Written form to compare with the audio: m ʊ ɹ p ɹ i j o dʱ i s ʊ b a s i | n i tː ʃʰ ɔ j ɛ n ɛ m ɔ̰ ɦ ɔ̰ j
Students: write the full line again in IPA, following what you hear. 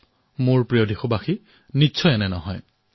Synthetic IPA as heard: m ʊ ɹ p ɹ i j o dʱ i x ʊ b a x i | n i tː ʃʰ ɔ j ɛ n ɛ n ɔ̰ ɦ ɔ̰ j